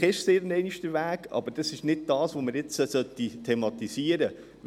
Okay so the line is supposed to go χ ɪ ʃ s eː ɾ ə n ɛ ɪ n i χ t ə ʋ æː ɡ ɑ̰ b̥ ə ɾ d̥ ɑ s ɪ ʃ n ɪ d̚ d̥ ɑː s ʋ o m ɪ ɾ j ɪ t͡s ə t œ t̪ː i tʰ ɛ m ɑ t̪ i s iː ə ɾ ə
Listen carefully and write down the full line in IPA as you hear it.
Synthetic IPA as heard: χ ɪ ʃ s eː ɾ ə n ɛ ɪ n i ʃ t ə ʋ æː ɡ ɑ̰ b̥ ə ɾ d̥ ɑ s ɪ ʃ n ɪ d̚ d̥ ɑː s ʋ o m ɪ ɾ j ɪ t͡s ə s œ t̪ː i tʰ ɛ m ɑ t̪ i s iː ə ɾ ə